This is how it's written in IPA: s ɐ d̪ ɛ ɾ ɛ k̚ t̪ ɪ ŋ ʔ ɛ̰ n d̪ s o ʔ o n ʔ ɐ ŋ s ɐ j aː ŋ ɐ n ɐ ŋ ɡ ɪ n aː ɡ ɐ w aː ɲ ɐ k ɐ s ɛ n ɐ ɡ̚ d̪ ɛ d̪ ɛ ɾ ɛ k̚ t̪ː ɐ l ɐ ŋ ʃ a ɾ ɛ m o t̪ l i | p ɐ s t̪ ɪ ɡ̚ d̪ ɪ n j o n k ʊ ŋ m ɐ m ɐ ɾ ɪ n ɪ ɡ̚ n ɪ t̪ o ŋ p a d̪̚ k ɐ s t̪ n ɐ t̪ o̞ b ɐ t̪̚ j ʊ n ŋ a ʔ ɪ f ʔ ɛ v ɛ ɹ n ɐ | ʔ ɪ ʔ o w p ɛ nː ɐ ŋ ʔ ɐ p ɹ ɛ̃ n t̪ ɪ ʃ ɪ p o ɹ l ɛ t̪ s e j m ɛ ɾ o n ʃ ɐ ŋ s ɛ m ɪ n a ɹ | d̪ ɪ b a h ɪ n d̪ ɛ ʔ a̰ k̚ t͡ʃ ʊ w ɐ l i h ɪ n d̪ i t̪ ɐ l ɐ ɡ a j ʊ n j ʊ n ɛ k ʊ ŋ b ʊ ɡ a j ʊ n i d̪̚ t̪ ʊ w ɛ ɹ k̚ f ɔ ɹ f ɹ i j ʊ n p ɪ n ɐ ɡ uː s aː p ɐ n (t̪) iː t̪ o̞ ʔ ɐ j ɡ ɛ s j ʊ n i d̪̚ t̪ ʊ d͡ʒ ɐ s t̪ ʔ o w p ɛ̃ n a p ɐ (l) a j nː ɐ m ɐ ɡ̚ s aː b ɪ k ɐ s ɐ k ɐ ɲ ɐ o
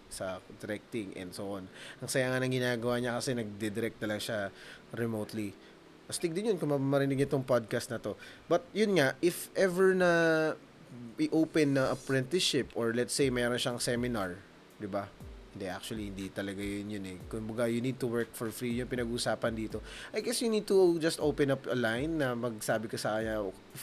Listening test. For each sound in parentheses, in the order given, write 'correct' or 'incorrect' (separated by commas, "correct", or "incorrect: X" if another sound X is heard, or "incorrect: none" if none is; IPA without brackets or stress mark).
incorrect: d̪, correct